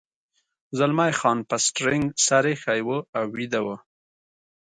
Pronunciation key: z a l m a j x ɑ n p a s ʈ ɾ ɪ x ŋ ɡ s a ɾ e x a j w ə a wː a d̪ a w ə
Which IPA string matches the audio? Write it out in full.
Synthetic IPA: z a l m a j x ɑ n p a s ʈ ɾ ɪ ŋ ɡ s a ɾ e x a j w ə a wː i d̪ a w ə